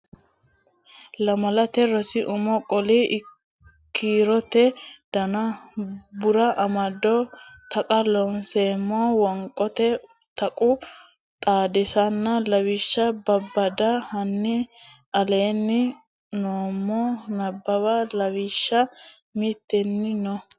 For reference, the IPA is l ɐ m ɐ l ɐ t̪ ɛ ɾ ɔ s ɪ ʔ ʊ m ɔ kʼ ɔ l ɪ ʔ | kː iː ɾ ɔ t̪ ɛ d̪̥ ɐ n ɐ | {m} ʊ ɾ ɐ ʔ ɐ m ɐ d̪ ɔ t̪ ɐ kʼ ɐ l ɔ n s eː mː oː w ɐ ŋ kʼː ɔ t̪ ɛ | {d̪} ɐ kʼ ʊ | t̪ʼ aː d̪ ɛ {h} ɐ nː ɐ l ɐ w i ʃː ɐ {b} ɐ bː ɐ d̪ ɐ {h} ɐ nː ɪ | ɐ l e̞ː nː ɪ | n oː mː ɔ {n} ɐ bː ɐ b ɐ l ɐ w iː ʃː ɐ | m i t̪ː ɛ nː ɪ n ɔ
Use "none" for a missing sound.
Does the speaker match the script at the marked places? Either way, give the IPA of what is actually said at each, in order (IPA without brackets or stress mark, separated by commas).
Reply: b, t̪, s, b, h, n